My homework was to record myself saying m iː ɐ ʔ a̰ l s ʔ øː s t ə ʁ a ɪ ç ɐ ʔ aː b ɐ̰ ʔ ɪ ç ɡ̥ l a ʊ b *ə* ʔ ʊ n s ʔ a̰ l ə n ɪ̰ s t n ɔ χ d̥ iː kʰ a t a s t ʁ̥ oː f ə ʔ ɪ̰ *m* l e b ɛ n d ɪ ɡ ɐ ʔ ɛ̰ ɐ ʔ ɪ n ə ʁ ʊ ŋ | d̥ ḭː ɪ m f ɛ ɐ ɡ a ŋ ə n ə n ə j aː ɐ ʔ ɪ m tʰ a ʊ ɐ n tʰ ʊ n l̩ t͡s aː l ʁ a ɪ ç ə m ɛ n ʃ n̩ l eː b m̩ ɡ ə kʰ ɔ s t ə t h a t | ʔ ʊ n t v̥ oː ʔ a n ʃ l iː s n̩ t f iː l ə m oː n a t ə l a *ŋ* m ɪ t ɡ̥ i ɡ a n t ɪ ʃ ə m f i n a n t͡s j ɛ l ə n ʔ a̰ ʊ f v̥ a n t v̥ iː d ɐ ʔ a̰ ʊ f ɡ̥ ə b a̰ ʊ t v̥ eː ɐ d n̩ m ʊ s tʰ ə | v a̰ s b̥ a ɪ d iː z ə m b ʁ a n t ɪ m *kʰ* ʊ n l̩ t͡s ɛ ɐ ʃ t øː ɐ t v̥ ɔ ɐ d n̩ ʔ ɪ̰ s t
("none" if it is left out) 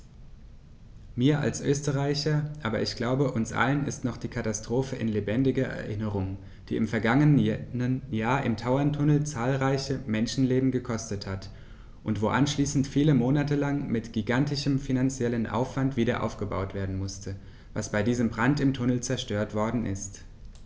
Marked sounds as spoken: ə, n, ŋ, tʰ

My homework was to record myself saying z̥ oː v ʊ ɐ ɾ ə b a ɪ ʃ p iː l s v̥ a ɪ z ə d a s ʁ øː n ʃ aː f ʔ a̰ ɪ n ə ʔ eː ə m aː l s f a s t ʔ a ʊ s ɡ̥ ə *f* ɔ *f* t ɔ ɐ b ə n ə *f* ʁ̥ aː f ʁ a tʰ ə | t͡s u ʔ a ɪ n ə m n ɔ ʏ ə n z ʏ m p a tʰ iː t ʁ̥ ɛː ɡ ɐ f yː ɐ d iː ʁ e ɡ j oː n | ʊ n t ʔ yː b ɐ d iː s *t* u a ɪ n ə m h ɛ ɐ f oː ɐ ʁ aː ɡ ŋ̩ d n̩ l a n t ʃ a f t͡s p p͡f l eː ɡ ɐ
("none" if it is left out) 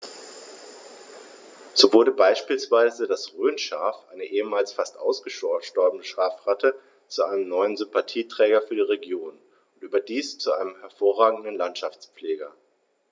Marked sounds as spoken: ʃ, ʃ, ʃ, t͡s

